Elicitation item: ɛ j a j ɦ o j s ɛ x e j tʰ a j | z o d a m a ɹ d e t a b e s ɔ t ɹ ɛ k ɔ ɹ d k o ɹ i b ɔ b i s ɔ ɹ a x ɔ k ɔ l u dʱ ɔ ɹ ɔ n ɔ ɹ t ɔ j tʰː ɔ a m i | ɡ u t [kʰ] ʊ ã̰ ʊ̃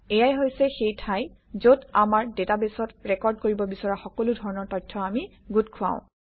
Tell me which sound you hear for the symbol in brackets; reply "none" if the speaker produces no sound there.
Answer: kʰ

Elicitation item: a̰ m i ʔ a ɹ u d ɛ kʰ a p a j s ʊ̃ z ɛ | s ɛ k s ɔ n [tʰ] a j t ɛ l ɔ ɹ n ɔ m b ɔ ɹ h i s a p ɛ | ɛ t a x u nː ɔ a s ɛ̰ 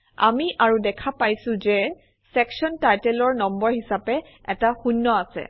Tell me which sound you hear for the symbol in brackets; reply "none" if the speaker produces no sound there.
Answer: t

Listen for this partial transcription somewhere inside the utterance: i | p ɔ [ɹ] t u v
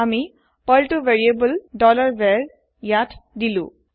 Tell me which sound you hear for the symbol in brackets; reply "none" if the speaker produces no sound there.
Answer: l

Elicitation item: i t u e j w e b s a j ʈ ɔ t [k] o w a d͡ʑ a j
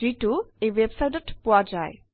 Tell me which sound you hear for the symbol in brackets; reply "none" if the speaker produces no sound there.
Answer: p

